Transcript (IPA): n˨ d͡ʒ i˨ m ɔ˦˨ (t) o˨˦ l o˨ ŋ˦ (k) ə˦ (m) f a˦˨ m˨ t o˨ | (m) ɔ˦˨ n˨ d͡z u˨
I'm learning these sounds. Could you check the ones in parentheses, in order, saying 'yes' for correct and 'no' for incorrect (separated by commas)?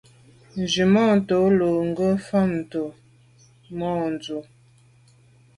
yes, no, no, yes